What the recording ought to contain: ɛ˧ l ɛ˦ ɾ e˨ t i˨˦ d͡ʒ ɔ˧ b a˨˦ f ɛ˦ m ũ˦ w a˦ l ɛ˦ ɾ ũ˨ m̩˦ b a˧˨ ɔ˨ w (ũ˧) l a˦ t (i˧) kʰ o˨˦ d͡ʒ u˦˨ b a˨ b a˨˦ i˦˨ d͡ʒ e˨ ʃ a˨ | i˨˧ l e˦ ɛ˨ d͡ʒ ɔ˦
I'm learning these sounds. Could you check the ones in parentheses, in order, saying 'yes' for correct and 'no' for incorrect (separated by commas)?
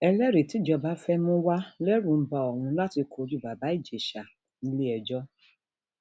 yes, yes